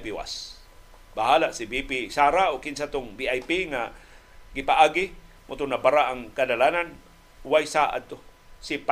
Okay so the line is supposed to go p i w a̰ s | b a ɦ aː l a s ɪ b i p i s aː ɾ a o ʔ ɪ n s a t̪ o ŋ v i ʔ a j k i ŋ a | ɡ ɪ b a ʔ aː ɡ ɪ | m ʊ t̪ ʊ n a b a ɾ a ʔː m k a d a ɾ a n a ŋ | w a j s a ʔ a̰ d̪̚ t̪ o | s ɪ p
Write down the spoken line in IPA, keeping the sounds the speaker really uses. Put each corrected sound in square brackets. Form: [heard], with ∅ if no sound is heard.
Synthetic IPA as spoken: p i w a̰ s | b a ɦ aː l a s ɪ b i p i s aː ɾ a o [k] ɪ n s a t̪ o ŋ [b] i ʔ a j [p] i ŋ a | ɡ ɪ [p] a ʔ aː ɡ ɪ | m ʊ t̪ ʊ n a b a ɾ a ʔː [ŋ] k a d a [l] a n a [n] | w a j s a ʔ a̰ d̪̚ t̪ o | s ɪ p